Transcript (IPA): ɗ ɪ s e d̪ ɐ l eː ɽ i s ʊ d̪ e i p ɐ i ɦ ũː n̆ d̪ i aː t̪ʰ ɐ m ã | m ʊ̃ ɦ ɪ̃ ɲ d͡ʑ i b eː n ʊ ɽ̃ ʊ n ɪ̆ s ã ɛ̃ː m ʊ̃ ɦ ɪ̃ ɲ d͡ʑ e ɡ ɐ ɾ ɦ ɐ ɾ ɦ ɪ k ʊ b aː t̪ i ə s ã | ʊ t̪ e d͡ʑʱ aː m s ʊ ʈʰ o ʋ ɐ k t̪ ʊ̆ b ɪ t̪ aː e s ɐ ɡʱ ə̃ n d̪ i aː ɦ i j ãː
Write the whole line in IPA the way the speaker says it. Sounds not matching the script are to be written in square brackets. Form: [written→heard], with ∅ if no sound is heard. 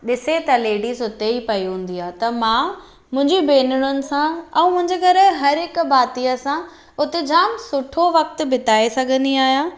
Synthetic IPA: ɗ ɪ s e [d̪→t̪] ɐ l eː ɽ i s ʊ [d̪→t̪] e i p ɐ i ɦ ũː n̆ d̪ i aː [t̪ʰ→t̪] ɐ m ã | m ʊ̃ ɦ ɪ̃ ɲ d͡ʑ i b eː n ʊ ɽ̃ ʊ n ɪ̆ s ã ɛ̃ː m ʊ̃ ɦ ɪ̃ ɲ d͡ʑ e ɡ ɐ ɾ ɦ ɐ ɾ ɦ ɪ k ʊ b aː t̪ i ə s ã | ʊ t̪ e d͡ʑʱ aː m s ʊ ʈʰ o ʋ ɐ k t̪ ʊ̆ b ɪ t̪ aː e s ɐ ɡʱ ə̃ n d̪ i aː ɦ i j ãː